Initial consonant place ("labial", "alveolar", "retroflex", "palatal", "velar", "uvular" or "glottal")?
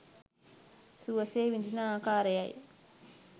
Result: alveolar